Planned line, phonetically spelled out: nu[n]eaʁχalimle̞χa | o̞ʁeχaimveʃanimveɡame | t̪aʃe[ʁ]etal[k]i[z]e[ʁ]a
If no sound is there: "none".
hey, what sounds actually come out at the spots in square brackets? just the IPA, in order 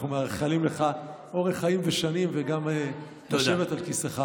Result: m, v, k, s, χ

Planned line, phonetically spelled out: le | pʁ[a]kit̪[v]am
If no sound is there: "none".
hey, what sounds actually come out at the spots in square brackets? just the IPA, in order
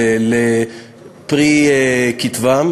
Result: i, v

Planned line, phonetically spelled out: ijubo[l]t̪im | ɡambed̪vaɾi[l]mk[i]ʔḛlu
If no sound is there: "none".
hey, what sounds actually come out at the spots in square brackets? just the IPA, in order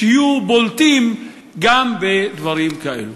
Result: l, none, a

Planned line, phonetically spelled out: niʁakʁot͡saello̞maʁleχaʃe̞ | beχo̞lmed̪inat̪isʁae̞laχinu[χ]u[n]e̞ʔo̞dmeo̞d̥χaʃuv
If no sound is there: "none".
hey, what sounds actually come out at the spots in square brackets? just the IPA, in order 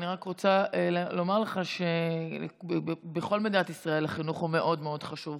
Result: χ, m

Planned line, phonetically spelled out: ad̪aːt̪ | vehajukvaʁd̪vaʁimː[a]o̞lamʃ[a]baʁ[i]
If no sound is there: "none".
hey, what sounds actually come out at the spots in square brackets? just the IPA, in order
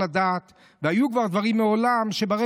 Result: e, e, e

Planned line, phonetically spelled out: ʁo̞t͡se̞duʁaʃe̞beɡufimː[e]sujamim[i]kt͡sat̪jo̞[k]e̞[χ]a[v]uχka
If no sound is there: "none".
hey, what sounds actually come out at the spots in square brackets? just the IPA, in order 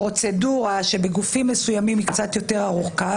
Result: e, i, t, ʁ, ʁ

